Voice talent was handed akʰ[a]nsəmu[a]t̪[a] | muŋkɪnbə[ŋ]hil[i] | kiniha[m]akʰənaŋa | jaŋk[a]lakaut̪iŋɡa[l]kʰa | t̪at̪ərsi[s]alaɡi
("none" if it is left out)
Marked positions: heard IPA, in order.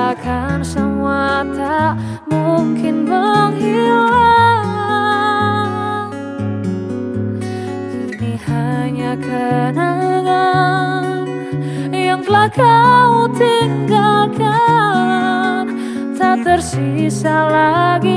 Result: a, a, a, ŋ, a, ɲ, ə, l, s

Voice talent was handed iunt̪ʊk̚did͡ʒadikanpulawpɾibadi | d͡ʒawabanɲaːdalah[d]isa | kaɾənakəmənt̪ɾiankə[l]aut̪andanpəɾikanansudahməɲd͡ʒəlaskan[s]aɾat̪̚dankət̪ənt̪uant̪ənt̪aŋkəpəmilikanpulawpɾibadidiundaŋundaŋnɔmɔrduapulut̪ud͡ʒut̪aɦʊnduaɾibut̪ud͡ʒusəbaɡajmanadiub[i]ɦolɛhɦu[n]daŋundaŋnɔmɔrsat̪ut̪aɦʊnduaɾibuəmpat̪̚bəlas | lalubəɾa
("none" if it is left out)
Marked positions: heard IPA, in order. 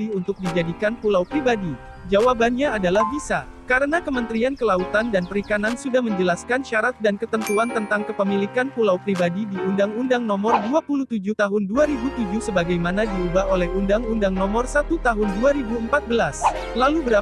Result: b, l, ʃ, a, n

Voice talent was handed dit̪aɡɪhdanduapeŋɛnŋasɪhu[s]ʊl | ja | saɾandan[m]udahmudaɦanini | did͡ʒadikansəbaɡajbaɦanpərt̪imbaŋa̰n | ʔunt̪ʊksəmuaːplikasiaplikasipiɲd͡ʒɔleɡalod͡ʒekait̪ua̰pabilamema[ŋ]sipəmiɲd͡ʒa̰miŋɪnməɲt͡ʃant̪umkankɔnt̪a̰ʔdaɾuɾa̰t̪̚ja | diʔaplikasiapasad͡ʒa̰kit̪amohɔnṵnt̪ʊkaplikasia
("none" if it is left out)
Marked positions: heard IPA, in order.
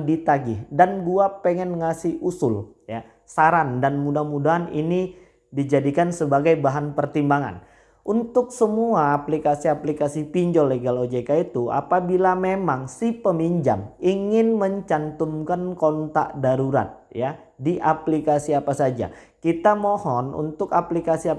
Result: s, m, ŋ

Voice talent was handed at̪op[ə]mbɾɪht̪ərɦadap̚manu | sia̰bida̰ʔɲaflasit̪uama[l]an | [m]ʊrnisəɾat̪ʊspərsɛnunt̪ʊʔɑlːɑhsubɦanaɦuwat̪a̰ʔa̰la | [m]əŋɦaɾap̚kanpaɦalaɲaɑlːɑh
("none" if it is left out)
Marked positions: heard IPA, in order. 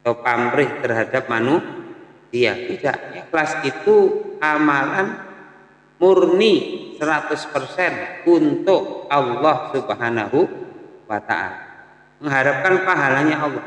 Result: a, l, m, m

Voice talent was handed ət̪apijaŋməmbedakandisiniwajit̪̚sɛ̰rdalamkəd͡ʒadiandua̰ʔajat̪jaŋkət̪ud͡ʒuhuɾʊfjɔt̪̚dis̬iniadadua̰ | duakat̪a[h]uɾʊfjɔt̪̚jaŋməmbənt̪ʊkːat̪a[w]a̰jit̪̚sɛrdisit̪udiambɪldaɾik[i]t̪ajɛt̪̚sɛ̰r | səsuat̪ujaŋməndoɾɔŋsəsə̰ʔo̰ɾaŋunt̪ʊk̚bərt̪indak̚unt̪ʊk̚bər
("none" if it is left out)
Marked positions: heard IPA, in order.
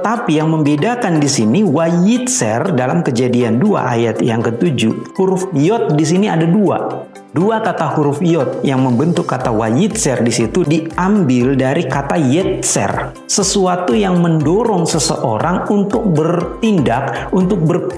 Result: h, w, a

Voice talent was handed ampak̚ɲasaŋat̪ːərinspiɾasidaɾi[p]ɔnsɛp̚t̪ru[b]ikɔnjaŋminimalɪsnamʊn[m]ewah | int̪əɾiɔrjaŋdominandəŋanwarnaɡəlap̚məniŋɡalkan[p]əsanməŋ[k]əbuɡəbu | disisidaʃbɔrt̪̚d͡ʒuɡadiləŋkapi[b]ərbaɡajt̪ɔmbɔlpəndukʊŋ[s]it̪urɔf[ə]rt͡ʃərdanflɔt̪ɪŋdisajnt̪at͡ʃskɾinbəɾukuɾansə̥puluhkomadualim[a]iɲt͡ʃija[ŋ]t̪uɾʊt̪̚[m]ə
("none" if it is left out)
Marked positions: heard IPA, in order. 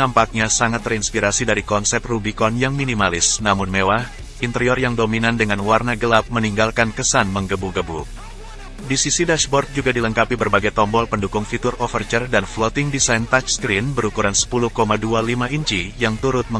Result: k, b, m, k, ɡ, b, f, ə, a, ŋ, m

